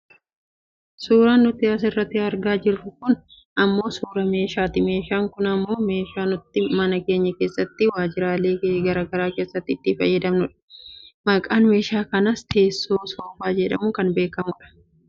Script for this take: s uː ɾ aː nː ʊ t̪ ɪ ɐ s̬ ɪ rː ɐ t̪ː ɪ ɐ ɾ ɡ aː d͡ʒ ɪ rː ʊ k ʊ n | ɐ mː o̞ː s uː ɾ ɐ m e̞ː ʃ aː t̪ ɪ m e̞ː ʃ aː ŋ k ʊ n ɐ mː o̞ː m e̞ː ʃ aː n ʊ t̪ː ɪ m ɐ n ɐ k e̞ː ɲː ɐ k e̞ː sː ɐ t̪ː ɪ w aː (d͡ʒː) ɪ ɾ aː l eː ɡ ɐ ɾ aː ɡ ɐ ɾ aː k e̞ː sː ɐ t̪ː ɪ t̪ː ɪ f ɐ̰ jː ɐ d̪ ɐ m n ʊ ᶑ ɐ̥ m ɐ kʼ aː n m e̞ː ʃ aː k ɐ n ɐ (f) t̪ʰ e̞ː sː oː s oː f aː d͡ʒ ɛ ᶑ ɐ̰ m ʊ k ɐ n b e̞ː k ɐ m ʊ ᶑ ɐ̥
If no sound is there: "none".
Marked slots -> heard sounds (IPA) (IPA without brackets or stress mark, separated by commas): d͡ʒ, s